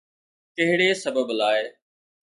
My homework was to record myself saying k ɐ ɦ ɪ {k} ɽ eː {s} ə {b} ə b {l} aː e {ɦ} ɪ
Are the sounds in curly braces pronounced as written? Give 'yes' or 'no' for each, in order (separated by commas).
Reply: no, yes, yes, yes, no